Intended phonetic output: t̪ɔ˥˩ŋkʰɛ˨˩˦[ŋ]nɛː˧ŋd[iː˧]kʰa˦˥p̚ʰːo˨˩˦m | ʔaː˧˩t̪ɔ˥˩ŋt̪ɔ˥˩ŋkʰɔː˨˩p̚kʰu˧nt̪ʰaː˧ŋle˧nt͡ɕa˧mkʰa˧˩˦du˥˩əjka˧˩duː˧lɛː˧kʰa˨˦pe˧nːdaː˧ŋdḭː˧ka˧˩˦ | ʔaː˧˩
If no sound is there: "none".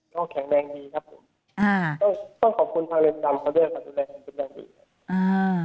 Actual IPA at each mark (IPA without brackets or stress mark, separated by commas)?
ŋ, iː˧